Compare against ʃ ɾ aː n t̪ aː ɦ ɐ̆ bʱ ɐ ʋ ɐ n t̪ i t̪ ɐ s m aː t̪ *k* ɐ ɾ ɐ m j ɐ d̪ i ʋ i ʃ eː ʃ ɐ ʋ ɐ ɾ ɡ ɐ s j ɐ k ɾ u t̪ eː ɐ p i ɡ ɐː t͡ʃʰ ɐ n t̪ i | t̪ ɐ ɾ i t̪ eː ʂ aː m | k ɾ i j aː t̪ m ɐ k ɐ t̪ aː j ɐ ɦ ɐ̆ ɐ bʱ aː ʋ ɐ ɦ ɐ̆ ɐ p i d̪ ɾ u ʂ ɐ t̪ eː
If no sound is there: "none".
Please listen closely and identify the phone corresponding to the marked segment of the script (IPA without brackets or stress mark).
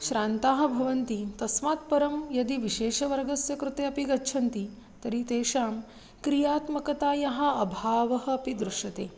p